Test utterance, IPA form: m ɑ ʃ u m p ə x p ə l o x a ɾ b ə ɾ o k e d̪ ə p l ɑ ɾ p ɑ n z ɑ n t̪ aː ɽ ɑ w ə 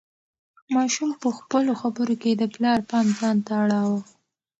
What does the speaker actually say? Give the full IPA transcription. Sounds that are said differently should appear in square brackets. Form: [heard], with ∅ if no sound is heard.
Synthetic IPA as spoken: m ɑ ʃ u m p ə x p ə l o x a [∅] b ə ɾ o k e d̪ ə p l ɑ ɾ p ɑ n z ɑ n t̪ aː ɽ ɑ w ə